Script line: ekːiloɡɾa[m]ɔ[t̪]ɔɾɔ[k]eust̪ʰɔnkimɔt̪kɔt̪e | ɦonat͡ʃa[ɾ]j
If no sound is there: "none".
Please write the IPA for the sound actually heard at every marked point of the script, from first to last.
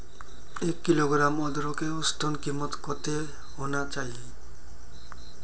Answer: m, d̪, k, none

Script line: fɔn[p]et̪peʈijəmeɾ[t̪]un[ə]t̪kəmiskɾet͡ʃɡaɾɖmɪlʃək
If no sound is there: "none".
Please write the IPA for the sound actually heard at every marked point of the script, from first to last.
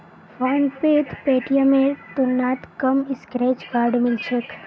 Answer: p, t̪, a

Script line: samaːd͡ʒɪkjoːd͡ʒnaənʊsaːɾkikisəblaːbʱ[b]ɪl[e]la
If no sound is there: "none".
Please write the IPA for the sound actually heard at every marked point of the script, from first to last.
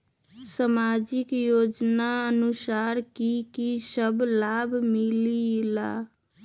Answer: m, i

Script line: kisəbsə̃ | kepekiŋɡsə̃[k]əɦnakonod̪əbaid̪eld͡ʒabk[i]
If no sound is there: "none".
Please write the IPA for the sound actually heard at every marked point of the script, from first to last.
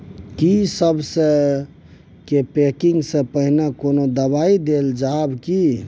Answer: p, i

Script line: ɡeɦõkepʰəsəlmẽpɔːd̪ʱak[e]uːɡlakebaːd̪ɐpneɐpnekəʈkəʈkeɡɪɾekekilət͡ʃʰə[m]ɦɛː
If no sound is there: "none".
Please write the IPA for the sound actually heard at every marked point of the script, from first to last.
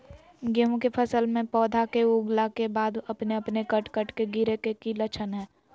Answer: e, n

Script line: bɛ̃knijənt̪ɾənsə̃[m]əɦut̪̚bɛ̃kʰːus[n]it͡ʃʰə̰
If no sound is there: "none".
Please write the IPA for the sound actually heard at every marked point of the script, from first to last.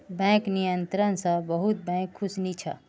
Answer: b, n

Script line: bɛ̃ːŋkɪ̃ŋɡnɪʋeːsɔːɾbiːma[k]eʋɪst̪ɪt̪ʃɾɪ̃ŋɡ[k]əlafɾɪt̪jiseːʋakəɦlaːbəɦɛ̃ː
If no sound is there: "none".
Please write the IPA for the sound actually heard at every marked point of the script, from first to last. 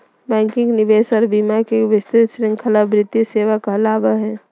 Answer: k, kʰ

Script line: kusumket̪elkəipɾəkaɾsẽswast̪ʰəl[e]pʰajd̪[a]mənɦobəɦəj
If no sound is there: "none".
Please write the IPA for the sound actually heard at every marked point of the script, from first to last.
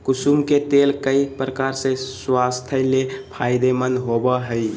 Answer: e, e

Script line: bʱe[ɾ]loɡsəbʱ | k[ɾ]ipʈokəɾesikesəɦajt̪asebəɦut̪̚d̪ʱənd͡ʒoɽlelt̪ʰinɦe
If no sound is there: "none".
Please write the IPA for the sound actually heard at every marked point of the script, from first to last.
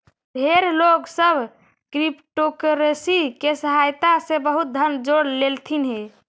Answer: ɾ, ɾ

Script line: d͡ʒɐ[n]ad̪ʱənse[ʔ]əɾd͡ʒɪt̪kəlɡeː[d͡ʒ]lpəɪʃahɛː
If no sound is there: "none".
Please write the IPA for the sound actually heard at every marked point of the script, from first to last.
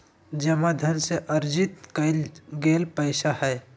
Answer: m, ʔ, none

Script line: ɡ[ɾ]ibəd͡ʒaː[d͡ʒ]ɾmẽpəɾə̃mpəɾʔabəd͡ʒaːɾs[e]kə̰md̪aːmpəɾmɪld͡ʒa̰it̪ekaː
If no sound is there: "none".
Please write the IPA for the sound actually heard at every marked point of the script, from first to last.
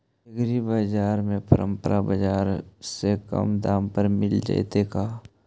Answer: ɾ, none, e

